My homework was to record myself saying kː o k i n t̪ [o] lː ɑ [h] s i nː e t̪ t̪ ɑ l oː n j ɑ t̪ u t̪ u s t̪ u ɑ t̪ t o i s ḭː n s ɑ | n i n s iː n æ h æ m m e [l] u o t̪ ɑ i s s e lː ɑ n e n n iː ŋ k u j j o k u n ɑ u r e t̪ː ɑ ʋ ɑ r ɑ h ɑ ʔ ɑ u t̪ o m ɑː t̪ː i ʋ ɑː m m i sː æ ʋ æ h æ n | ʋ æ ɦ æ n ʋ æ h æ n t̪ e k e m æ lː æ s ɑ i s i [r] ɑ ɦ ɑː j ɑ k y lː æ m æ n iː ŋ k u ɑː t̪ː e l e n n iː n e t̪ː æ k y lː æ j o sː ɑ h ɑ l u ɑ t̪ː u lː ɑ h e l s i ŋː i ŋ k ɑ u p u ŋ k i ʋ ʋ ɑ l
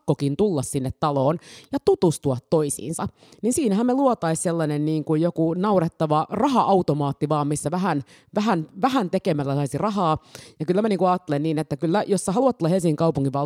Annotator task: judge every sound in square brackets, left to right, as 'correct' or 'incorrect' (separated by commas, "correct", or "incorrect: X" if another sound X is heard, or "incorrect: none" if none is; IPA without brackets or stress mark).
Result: incorrect: u, incorrect: s, correct, correct